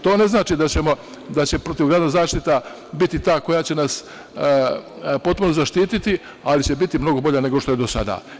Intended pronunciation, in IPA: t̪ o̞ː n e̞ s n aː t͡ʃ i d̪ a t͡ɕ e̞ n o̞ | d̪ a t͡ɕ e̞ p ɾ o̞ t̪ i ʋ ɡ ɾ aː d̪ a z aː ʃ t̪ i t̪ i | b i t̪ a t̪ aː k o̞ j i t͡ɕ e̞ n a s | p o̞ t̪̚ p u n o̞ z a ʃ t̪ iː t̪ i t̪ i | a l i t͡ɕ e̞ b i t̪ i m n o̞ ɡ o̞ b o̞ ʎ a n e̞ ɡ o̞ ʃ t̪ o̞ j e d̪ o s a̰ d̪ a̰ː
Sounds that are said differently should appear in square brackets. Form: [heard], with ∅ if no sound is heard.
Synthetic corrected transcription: t̪ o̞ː n e̞ [z] n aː t͡ʃ i d̪ a t͡ɕ e̞ [m] o̞ | d̪ a t͡ɕ e̞ p ɾ o̞ t̪ i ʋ ɡ ɾ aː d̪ a z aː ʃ t̪ i t̪ [a] | b i t̪ [i] t̪ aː k o̞ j [a] t͡ɕ e̞ n a s | p o̞ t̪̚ p u n o̞ z a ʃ t̪ iː t̪ i t̪ i | a l i t͡ɕ e̞ b i t̪ i m n o̞ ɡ o̞ b o̞ ʎ a n e̞ ɡ o̞ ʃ t̪ o̞ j e d̪ o s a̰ d̪ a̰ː